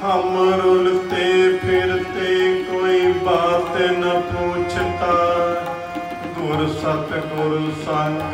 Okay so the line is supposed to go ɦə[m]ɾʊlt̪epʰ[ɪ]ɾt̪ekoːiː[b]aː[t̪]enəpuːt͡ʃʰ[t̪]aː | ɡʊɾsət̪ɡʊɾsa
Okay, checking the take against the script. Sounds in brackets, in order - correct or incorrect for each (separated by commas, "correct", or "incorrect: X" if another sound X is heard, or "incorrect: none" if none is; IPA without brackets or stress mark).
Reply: correct, correct, correct, correct, correct